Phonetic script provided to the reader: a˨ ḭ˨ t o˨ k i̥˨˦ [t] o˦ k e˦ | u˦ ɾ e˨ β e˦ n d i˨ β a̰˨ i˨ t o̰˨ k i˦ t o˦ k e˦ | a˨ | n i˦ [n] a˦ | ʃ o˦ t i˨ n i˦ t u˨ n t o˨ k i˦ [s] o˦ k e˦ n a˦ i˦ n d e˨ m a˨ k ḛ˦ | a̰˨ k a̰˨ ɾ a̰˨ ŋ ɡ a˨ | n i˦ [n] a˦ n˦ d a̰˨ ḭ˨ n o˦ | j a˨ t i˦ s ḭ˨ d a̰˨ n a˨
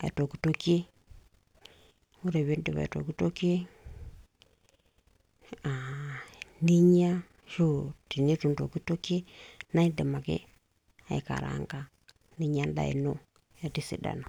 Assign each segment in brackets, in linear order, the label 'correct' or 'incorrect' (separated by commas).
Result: correct, incorrect, incorrect, incorrect